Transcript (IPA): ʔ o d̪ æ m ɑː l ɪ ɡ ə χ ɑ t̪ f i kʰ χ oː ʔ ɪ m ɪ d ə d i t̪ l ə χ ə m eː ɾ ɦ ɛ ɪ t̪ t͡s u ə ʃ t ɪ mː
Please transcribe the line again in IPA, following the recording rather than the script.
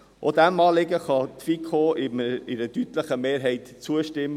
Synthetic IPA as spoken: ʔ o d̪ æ m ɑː l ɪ ɡ ə χ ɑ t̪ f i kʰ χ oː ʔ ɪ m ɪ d ə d y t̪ l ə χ ə m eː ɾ ɦ ɛ ɪ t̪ t͡s u ə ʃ t ɪ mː